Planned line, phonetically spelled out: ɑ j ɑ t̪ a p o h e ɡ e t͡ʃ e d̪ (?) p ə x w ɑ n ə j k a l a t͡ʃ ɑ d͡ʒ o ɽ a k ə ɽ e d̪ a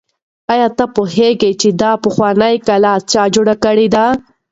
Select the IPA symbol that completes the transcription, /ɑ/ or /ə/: ɑ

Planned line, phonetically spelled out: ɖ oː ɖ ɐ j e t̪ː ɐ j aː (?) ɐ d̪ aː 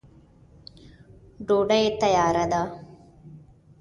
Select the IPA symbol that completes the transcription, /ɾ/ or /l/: ɾ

